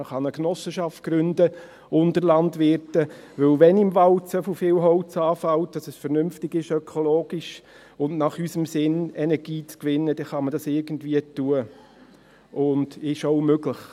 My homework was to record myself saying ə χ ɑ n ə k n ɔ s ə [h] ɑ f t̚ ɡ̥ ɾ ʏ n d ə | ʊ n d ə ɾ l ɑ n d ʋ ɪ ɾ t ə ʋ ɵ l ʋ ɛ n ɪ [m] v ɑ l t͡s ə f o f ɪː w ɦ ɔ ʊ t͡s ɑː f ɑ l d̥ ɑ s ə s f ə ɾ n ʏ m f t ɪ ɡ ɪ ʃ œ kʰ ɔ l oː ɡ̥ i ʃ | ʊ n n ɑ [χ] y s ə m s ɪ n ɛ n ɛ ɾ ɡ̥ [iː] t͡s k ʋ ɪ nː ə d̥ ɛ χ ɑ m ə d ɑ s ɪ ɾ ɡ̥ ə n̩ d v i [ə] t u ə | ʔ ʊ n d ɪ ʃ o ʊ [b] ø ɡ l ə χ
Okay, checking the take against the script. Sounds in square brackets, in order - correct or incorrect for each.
incorrect, correct, correct, correct, correct, incorrect

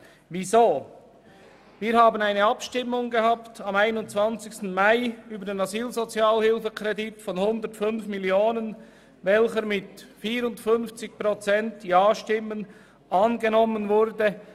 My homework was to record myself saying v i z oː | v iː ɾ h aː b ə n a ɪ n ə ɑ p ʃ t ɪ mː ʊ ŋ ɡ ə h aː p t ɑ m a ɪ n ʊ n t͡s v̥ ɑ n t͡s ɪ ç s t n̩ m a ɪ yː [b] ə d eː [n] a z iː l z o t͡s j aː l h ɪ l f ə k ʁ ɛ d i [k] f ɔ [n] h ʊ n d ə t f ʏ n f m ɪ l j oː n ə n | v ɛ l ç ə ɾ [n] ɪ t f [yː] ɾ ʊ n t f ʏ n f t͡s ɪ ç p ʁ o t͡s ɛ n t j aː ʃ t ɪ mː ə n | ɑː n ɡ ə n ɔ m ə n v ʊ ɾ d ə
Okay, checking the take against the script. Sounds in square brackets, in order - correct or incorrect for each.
correct, correct, incorrect, correct, incorrect, incorrect

